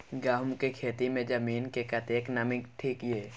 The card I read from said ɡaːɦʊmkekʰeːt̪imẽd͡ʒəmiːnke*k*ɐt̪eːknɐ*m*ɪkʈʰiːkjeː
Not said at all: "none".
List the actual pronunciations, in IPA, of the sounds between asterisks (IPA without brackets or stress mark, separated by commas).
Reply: k, m